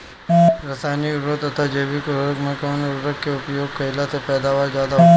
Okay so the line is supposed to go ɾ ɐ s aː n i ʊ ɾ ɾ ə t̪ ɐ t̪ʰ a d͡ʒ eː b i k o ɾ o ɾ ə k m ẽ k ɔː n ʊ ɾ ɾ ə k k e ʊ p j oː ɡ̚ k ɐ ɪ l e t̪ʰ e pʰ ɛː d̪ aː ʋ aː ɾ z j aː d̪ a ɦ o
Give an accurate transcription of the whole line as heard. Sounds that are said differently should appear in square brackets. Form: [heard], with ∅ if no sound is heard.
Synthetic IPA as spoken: ɾ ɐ s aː n i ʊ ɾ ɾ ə t̪ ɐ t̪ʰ a d͡ʒ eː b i k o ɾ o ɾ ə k m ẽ k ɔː n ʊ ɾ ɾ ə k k e ʊ p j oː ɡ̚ k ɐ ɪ l [a] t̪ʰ e [p] ɛː d̪ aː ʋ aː ɾ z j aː d̪ a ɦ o